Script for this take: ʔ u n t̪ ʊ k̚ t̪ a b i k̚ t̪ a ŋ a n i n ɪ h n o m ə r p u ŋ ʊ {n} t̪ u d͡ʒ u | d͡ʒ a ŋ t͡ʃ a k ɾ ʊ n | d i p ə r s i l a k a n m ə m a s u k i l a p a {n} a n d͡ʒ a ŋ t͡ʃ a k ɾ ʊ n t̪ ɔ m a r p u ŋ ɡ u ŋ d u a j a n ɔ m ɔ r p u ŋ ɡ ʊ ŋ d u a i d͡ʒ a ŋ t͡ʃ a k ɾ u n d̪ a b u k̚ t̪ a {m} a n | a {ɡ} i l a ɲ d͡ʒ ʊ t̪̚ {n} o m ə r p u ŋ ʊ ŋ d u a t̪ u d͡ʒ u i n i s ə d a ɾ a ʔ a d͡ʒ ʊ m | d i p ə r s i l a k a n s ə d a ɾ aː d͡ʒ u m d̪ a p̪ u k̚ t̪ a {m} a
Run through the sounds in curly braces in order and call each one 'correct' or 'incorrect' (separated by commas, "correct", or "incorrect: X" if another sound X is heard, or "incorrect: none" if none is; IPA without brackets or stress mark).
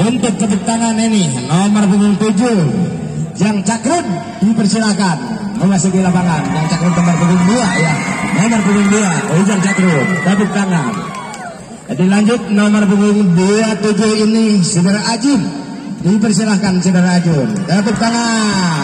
incorrect: ŋ, incorrect: ŋ, incorrect: ŋ, incorrect: d, correct, incorrect: ŋ